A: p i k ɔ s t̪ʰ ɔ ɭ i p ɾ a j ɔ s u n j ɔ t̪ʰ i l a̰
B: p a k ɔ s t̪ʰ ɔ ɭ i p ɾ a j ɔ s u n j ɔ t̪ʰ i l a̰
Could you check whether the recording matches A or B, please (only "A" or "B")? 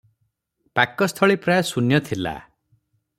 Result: B